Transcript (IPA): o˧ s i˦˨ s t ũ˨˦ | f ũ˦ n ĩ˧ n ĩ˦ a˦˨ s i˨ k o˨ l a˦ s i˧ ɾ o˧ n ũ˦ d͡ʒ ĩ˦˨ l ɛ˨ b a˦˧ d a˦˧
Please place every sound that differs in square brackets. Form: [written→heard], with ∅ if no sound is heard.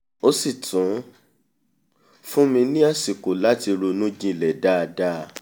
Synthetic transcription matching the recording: o˧ s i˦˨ [s→∅] t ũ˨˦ | f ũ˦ [n→m] ĩ˧ n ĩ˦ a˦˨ s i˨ k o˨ l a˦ [s→t] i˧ ɾ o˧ n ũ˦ d͡ʒ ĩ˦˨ l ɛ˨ [b→d] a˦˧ d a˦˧